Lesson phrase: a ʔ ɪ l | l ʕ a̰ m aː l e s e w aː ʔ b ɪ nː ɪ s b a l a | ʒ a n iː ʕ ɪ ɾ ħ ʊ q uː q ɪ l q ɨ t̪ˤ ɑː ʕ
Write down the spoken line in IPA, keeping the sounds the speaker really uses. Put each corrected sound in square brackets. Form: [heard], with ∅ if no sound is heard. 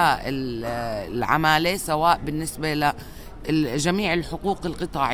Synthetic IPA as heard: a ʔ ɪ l | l ʕ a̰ m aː l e s [a] w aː ʔ b ɪ nː ɪ s b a l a | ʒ a [m] iː ʕ ɪ [l] ħ ʊ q uː q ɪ l q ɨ t̪ˤ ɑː ʕ